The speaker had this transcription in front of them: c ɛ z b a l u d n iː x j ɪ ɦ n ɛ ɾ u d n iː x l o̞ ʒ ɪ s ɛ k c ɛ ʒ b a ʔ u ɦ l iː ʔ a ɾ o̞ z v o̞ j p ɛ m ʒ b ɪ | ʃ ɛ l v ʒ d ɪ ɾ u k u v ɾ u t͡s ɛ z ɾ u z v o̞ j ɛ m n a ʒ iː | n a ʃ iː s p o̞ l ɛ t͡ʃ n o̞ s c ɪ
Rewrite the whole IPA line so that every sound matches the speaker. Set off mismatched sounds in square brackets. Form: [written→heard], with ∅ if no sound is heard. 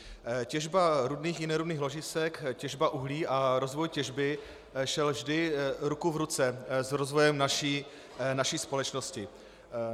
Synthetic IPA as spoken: c ɛ [z→ʒ] b a [l→ɾ] u d n iː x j ɪ [ɦ→∅] n ɛ ɾ u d n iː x l o̞ ʒ ɪ s ɛ k c ɛ ʒ b a ʔ u ɦ l iː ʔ a ɾ o̞ z v o̞ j [p→c] ɛ [m→∅] ʒ b ɪ | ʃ ɛ l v ʒ d ɪ ɾ u k u v ɾ u t͡s ɛ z ɾ [u→o] z v o̞ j ɛ m n a [ʒ→ʃ] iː | n a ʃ iː s p o̞ l ɛ t͡ʃ n o̞ s c ɪ

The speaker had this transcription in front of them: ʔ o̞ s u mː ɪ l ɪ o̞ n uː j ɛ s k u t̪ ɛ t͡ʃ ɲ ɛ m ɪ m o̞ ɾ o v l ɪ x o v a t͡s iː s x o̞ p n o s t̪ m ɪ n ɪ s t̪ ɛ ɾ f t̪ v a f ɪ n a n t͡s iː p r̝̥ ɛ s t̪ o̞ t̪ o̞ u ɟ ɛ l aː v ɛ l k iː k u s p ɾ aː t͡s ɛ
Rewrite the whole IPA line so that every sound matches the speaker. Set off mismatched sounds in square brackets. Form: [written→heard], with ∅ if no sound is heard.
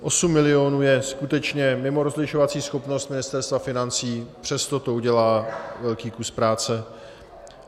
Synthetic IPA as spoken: ʔ o̞ s u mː ɪ l ɪ o̞ n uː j ɛ s k u t̪ ɛ t͡ʃ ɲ ɛ m ɪ m o̞ ɾ o [v→z] l ɪ [x→ʃ] o v a t͡s iː s x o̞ p n o s t̪ m ɪ n ɪ s t̪ ɛ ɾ [f→s] t̪ v a f ɪ n a n t͡s iː p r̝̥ ɛ s t̪ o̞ t̪ o̞ u ɟ ɛ l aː v ɛ l k iː k u s p ɾ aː t͡s ɛ

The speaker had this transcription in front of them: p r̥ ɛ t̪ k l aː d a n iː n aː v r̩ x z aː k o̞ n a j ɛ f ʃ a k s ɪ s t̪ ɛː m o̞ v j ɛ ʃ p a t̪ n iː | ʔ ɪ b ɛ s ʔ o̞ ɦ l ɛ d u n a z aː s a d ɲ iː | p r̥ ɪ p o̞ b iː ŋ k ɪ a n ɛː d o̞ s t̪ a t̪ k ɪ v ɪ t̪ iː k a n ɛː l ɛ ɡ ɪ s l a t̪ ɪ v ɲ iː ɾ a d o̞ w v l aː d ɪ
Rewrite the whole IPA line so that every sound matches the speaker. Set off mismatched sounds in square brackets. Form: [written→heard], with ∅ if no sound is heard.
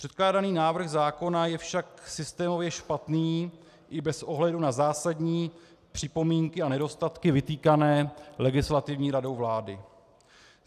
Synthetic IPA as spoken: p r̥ ɛ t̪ k l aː d a n iː n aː v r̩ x z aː k o̞ n a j ɛ f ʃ a k s ɪ s t̪ ɛː m o̞ v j ɛ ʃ p a t̪ n iː | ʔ ɪ b ɛ s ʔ o̞ ɦ l ɛ d u n a z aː s a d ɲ iː | p r̥ ɪ p o̞ [b→m] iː ŋ k ɪ a n [ɛː→ɛ] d o̞ s t̪ a t̪ k ɪ v ɪ t̪ iː k a n ɛː l ɛ ɡ ɪ s l a t̪ ɪ v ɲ iː ɾ a d o̞ w v l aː d ɪ

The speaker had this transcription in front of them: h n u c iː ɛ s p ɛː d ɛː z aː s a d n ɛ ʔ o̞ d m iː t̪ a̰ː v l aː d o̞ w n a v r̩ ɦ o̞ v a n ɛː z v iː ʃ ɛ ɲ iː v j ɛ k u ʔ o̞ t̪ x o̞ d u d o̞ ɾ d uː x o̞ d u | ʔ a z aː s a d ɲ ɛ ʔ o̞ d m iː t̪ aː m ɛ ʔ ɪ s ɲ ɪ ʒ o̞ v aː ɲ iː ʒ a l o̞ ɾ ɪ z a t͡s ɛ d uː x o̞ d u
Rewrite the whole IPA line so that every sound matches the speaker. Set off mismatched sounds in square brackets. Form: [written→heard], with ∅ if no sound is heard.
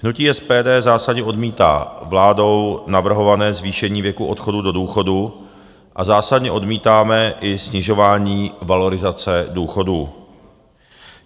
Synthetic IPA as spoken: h n u c iː ɛ s p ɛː d ɛː z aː s a d [n→ɲ] ɛ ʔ o̞ d m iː t̪ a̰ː v l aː d o̞ w n a v r̩ ɦ o̞ v a n ɛː z v iː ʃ ɛ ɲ iː v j ɛ k u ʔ o̞ t̪ x o̞ d u d o̞ [ɾ→∅] d uː x o̞ d u | ʔ a z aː s a d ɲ ɛ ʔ o̞ d m iː t̪ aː m ɛ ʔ ɪ s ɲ ɪ ʒ o̞ v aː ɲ iː [ʒ→v] a l o̞ ɾ ɪ z a t͡s ɛ d uː x o̞ d u

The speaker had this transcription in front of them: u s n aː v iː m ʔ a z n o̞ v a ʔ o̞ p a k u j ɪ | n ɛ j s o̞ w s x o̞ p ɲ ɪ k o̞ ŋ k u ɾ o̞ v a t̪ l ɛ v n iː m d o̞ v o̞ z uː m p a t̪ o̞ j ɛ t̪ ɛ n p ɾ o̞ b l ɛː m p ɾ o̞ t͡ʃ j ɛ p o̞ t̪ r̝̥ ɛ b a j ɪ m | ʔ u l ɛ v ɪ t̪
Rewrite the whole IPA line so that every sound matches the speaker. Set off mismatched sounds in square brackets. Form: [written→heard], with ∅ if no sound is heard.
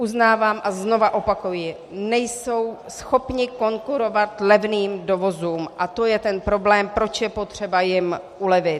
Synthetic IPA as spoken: u [s→z] n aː v [iː→aː] m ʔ a z n o̞ v a ʔ o̞ p a k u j ɪ | n ɛ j s o̞ w s x o̞ p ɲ ɪ k o̞ ŋ k u ɾ o̞ v a t̪ l ɛ v n iː m d o̞ v o̞ z uː m [p→ʔ] a t̪ o̞ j ɛ t̪ ɛ n p ɾ o̞ b l ɛː m p ɾ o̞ t͡ʃ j ɛ p o̞ t̪ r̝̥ ɛ b a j ɪ m | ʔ u l ɛ v ɪ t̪

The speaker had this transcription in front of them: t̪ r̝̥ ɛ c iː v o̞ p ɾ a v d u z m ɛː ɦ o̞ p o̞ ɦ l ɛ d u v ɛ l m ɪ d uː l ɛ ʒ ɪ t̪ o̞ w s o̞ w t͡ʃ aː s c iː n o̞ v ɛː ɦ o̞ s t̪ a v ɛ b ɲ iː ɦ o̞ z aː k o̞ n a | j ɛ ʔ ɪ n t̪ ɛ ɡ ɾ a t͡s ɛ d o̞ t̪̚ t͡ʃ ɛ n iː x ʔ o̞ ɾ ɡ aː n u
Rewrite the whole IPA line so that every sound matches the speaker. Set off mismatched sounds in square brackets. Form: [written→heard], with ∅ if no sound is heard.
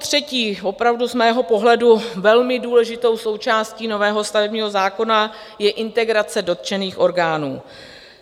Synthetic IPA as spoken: t̪ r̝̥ ɛ c iː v o̞ p ɾ a v d u z m ɛː ɦ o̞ p o̞ ɦ l ɛ d u v ɛ l m ɪ d uː l ɛ ʒ ɪ t̪ o̞ w s o̞ w t͡ʃ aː s c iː n o̞ v ɛː ɦ o̞ s t̪ a v ɛ b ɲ iː ɦ o̞ z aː k o̞ n a | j ɛ ʔ ɪ n t̪ ɛ ɡ ɾ a t͡s ɛ d o̞ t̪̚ t͡ʃ ɛ n iː x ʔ o̞ ɾ ɡ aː n [u→uː]

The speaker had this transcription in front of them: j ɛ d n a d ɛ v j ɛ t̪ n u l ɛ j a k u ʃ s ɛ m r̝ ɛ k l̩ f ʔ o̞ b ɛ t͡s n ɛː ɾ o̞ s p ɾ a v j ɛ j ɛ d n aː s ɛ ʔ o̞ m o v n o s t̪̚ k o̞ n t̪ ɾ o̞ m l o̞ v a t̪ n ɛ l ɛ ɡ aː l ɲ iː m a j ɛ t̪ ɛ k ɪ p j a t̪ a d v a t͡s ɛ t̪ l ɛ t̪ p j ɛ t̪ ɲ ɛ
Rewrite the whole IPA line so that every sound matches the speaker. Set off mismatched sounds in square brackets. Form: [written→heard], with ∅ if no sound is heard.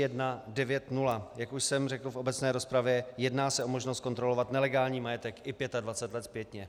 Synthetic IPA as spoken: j ɛ d n a d ɛ v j ɛ t̪ n u l [ɛ→a] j a k u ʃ s ɛ m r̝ ɛ k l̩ f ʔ o̞ b ɛ t͡s n ɛː ɾ o̞ s p ɾ a v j ɛ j ɛ d n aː s ɛ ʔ o̞ m o [v→ʒ] n o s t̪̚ k o̞ n t̪ ɾ o̞ [m→∅] l o̞ v a t̪ n ɛ l ɛ ɡ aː l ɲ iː m a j ɛ t̪ ɛ k ɪ p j [a→ɛ] t̪ a d v a t͡s ɛ t̪ l ɛ t̪ p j ɛ t̪ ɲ ɛ

